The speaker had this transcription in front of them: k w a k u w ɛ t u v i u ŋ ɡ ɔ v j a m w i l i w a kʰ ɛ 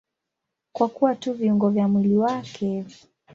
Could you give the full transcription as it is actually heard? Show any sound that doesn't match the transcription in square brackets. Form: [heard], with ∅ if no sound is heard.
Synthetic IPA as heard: k w a k u w [a] t u v i u ŋ ɡ ɔ v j a m w i l i w a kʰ ɛ